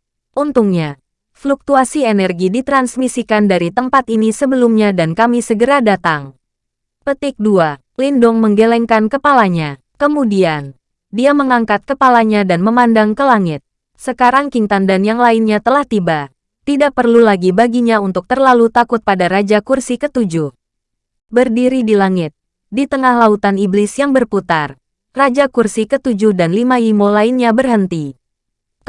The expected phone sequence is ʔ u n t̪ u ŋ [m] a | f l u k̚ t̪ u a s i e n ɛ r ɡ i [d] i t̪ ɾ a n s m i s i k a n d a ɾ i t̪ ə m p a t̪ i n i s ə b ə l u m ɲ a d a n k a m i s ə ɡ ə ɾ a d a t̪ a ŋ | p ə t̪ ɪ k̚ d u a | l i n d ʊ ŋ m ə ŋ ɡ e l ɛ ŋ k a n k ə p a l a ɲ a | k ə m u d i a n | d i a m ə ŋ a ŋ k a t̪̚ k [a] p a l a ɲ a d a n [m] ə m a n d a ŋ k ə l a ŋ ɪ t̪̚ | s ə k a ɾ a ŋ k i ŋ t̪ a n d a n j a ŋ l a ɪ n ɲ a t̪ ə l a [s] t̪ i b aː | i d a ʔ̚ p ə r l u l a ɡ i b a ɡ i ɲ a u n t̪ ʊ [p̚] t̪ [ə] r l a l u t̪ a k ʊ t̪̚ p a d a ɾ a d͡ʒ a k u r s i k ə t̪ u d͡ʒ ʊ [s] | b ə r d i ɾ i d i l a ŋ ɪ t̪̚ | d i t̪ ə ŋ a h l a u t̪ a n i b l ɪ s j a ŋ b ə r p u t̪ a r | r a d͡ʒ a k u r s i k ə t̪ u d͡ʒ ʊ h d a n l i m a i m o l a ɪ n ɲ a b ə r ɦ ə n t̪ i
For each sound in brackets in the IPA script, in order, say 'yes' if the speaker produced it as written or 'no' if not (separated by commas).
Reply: no, yes, no, yes, no, no, yes, no